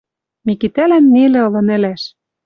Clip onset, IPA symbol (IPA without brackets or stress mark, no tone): m